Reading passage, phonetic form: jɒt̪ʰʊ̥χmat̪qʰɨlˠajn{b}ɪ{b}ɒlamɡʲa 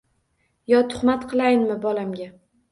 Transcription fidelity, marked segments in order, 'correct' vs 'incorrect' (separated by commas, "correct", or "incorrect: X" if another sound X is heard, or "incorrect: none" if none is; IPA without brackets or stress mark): incorrect: m, correct